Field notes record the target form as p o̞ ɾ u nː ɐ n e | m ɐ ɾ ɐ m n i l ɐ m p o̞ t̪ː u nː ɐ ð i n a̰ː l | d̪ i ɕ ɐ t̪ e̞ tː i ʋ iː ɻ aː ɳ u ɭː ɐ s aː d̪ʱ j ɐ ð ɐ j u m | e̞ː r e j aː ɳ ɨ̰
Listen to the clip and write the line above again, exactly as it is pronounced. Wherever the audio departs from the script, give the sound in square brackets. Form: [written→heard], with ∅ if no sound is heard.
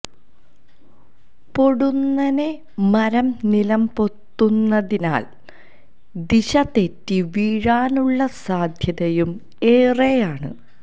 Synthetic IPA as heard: p o̞ [ɾ→ɽ] u nː ɐ n e | m ɐ ɾ ɐ m n i l ɐ m p o̞ t̪ː u nː ɐ ð i n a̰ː l | d̪ i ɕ ɐ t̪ e̞ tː i ʋ iː ɻ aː [ɳ→n] u ɭː ɐ s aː d̪ʱ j ɐ ð ɐ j u m | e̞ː r e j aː ɳ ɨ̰

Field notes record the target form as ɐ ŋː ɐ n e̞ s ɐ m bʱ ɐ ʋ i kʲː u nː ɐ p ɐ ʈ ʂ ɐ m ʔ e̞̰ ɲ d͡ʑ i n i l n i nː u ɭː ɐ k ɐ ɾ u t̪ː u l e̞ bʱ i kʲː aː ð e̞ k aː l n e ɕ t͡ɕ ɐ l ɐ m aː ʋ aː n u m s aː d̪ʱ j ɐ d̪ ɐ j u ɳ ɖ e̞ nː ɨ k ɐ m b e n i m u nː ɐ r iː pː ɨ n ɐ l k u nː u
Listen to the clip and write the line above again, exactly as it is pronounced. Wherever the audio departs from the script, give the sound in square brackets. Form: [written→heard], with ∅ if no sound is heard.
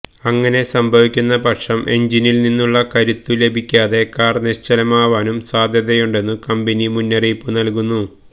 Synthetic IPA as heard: ɐ ŋː ɐ n e̞ s ɐ m bʱ ɐ ʋ i kʲː u nː ɐ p ɐ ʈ ʂ ɐ m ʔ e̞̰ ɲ d͡ʑ i n i l n i nː u ɭː ɐ k ɐ ɾ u t̪ː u l e̞ bʱ i kʲː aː ð e̞ k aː [l→r] n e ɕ t͡ɕ ɐ l ɐ m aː ʋ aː n u m s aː d̪ʱ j ɐ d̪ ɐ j u ɳ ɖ e̞ nː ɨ k ɐ m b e n i m u nː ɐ r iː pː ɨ n ɐ l k u nː u

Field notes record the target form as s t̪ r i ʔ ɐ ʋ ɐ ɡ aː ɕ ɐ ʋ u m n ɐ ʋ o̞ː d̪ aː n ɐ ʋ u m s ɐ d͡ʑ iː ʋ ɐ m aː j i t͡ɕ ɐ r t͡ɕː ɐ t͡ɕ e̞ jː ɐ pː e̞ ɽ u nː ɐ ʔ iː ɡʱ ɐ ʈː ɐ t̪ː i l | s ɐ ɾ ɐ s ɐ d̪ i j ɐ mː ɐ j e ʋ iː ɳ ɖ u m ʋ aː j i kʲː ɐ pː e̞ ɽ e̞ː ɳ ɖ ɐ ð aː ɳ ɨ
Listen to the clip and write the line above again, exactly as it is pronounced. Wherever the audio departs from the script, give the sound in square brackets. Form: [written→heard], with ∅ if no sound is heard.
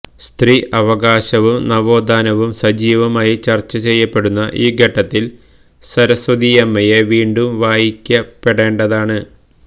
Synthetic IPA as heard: s t̪ r i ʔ ɐ ʋ ɐ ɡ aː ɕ ɐ ʋ u m n ɐ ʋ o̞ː d̪ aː n ɐ ʋ u m s ɐ d͡ʑ iː ʋ ɐ m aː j i t͡ɕ ɐ r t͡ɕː ɐ t͡ɕ e̞ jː ɐ pː e̞ ɽ u nː ɐ ʔ iː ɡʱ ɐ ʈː ɐ t̪ː i l | s ɐ ɾ ɐ s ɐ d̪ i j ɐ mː ɐ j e ʋ iː ɳ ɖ u m ʋ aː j i kʲː ɐ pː e̞ ɽ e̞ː ɳ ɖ ɐ ð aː ɳ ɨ

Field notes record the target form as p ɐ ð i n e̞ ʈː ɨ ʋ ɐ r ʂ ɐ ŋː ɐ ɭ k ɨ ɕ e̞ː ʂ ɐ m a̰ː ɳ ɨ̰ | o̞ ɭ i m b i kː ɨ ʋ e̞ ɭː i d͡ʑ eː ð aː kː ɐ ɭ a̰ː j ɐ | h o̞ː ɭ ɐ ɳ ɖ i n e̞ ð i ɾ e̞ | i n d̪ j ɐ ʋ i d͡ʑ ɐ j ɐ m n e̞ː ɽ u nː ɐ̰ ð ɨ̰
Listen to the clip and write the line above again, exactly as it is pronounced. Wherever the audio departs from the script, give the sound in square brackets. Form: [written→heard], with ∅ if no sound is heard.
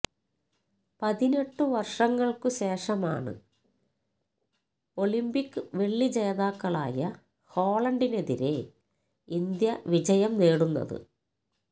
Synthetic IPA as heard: p ɐ ð i n e̞ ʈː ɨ ʋ ɐ r ʂ ɐ ŋː ɐ ɭ k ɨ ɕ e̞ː ʂ ɐ m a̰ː ɳ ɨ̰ | o̞ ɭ i m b i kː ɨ ʋ e̞ ɭː i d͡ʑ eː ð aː kː ɐ ɭ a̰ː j ɐ | h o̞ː ɭ ɐ ɳ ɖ i n e̞ ð i ɾ e̞ | i n d̪ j ɐ ʋ i d͡ʑ ɐ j ɐ m n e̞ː ɽ u nː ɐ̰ ð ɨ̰

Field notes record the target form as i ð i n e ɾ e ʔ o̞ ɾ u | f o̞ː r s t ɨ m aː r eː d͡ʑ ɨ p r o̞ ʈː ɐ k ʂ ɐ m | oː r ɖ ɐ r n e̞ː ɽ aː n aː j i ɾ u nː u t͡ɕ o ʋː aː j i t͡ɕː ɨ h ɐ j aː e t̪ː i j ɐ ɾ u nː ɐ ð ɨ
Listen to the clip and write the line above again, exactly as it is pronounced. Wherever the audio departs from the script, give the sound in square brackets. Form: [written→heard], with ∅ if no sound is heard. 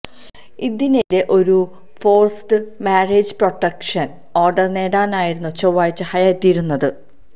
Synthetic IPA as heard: i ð i n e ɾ e ʔ o̞ ɾ u | f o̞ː r s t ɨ m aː r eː d͡ʑ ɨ p r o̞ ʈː ɐ k ʂ ɐ [m→n] | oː r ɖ ɐ r n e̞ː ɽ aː n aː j i ɾ u nː u t͡ɕ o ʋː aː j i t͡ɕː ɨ h ɐ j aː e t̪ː i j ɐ ɾ u nː ɐ ð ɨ

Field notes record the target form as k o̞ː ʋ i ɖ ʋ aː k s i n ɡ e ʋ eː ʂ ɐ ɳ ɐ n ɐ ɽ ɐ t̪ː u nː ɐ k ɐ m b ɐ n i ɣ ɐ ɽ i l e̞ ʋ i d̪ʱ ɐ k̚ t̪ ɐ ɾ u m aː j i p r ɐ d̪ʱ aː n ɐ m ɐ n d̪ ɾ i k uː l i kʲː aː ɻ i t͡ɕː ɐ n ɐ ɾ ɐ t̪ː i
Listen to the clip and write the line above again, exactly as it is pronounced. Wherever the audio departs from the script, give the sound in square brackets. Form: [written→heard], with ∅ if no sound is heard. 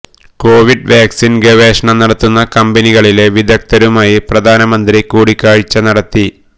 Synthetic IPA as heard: k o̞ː ʋ i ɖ ʋ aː k s i n ɡ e ʋ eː ʂ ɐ ɳ ɐ n ɐ ɽ ɐ t̪ː u nː ɐ k ɐ m b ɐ n i ɣ ɐ [ɽ→ɭ] i l e̞ ʋ i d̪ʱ ɐ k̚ t̪ ɐ ɾ u m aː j i p r ɐ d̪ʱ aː n ɐ m ɐ n d̪ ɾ i k uː [l→ɽ] i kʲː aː ɻ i t͡ɕː ɐ n ɐ [ɾ→ɽ] ɐ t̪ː i

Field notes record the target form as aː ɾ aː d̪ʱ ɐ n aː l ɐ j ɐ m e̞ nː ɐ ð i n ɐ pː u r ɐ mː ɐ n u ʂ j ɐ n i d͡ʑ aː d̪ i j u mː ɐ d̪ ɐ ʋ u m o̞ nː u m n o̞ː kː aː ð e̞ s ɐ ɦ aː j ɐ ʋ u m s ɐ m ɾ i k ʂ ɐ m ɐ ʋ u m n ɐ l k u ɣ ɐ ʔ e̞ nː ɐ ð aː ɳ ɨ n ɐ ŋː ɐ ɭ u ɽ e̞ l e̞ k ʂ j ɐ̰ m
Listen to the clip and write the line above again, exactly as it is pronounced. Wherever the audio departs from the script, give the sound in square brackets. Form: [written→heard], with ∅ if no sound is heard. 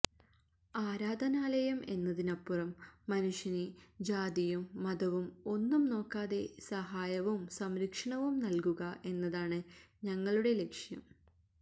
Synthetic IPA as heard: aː ɾ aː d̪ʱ ɐ n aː l ɐ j ɐ m e̞ nː ɐ ð i n ɐ pː u r ɐ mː ɐ n u ʂ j ɐ n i d͡ʑ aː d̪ i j u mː ɐ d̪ ɐ ʋ u m o̞ nː u m n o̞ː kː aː ð e̞ s ɐ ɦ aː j ɐ ʋ u m s ɐ m ɾ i k ʂ ɐ [m→ɳ] ɐ ʋ u m n ɐ l k u ɣ ɐ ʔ e̞ nː ɐ ð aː ɳ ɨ [n→ɲ] ɐ ŋː ɐ ɭ u ɽ e̞ l e̞ k ʂ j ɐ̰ m

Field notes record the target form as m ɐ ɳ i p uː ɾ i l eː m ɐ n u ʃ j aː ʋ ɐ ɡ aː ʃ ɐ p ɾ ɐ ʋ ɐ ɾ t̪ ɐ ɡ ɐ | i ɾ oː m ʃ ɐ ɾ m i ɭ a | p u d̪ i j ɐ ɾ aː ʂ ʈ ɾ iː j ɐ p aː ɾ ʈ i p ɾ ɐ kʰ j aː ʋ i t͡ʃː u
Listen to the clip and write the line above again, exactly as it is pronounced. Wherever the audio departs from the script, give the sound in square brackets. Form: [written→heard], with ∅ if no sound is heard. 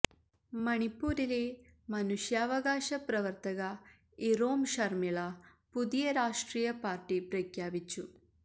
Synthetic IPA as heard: m ɐ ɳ i p uː ɾ i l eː m ɐ n u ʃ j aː ʋ ɐ ɡ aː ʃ ɐ p ɾ ɐ ʋ ɐ ɾ t̪ ɐ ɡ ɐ | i ɾ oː m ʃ ɐ ɾ m i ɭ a | p u d̪ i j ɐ ɾ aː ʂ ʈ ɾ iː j ɐ p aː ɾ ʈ i p ɾ ɐ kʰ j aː ʋ i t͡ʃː u

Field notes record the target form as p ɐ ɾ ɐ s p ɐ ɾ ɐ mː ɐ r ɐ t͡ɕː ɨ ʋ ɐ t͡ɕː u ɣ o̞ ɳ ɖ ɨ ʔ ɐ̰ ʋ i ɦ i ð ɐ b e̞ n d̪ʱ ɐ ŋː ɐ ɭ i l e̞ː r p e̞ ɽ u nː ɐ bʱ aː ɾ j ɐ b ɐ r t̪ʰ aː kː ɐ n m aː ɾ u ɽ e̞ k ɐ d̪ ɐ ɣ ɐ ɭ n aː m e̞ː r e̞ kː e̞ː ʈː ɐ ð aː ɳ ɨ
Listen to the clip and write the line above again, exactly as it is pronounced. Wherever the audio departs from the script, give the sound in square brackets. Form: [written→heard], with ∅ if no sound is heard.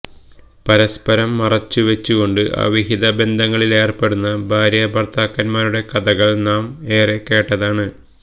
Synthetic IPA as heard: p ɐ ɾ ɐ s p ɐ ɾ ɐ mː ɐ r ɐ t͡ɕː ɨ ʋ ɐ t͡ɕː u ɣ o̞ ɳ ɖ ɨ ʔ ɐ̰ ʋ i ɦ i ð ɐ b e̞ n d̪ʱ ɐ ŋː ɐ ɭ i l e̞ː r p e̞ ɽ u nː ɐ bʱ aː ɾ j ɐ b ɐ r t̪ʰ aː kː ɐ n m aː ɾ u ɽ e̞ k ɐ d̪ ɐ ɣ ɐ ɭ n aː m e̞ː r e̞ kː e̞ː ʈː ɐ ð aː ɳ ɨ

